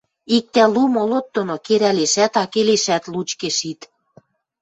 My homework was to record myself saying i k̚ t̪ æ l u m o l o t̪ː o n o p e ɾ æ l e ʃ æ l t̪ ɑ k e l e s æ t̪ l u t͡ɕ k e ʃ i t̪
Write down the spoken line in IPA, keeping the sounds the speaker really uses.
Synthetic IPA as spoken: i k̚ t̪ æ l u m o l o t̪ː o n o k e ɾ æ l e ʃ æ t̪ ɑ k e l e ʃ æ t̪ l u t͡ɕ k e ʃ i t̪

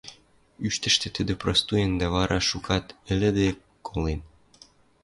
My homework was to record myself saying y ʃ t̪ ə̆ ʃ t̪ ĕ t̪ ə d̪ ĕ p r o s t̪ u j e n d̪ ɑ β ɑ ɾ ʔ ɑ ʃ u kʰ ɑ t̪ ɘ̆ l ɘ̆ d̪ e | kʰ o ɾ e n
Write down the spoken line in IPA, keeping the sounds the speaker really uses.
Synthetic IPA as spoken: y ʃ t̪ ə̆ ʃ t̪ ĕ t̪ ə d̪ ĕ p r o s t̪ u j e n d̪ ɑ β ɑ ɾ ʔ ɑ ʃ u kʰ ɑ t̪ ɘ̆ l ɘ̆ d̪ e | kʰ o l e n

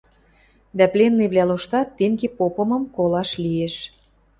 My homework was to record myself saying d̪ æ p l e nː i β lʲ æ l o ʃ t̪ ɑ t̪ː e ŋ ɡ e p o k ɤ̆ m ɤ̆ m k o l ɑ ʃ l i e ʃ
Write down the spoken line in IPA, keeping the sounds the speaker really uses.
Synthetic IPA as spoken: d̪ æ p l e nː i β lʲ æ l o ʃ t̪ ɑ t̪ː e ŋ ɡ e p o p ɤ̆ m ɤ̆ m k o l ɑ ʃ l i e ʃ

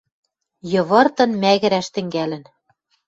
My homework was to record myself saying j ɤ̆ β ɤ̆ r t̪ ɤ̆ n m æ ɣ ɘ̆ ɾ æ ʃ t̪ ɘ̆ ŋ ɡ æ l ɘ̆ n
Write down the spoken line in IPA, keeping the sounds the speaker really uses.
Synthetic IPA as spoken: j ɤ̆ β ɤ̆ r t̪ ɤ̆ n m æ ɣ ɘ̆ ɾ æ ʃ t̪ ɘ̆ ŋ ɡ æ l ɘ̆ n

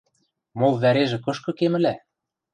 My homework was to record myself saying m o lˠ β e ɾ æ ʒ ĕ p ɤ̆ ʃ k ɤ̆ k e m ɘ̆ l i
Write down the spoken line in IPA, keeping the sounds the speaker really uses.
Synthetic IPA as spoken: m o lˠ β æ ɾ e ʒ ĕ k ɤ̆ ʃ k ɤ̆ k e m ɘ̆ l æ

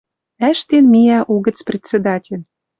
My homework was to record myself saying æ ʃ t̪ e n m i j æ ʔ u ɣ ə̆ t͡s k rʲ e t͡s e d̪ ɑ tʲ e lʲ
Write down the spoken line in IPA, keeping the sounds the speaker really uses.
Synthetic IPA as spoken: æ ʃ t̪ e n m i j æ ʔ u ɣ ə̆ t͡s p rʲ e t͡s e d̪ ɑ tʲ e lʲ

